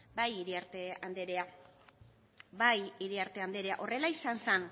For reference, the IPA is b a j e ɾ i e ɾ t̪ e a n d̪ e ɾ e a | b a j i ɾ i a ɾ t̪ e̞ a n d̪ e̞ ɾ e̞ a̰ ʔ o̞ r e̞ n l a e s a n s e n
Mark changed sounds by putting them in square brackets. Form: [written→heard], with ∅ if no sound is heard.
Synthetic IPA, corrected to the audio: b a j [e→i] ɾ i [e→a] ɾ t̪ e a n d̪ e ɾ e a | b a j i ɾ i a ɾ t̪ e̞ a n d̪ e̞ ɾ e̞ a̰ ʔ o̞ r e̞ [n→∅] l a [e→i] s a n s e n